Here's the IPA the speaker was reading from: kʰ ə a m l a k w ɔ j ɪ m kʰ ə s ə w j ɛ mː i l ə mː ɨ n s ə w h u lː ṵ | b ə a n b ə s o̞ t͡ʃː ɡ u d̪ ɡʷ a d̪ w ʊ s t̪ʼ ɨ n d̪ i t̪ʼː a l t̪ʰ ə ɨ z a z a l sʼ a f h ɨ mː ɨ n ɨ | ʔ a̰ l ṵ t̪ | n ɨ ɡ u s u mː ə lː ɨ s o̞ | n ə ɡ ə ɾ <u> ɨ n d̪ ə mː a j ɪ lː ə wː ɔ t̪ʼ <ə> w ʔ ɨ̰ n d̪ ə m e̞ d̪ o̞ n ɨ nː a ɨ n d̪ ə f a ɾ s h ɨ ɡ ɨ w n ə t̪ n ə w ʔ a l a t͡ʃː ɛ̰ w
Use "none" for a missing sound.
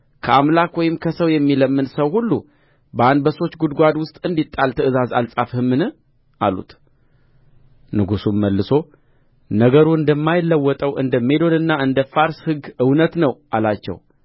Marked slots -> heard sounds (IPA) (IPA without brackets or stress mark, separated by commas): u, ə